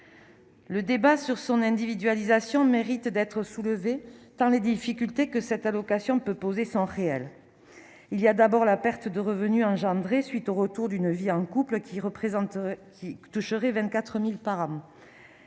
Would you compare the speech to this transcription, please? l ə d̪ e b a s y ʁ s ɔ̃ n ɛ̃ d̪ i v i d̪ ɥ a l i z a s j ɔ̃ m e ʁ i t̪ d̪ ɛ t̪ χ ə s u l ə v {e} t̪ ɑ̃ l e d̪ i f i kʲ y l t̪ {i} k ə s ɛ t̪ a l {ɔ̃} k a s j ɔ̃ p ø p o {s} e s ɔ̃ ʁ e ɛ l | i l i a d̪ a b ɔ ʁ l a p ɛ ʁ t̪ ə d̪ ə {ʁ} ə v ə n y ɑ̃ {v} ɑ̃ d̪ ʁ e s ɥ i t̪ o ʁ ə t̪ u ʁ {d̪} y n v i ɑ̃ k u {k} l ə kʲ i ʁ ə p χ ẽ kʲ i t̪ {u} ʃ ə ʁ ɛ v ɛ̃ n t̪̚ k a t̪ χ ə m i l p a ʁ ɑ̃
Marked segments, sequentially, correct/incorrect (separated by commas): correct, incorrect, incorrect, incorrect, correct, incorrect, correct, incorrect, correct